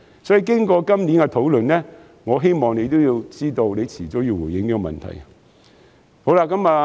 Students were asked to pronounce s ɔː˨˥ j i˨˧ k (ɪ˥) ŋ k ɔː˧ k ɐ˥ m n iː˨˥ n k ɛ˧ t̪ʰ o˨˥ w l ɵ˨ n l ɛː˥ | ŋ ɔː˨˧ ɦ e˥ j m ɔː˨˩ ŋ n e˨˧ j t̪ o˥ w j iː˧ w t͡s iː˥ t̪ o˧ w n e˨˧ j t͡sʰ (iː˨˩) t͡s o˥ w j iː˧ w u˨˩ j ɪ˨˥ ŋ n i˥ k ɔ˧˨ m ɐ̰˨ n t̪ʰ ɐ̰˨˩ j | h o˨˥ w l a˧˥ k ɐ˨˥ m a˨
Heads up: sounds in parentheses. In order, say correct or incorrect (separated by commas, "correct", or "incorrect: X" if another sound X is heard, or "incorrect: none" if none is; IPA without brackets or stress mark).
correct, correct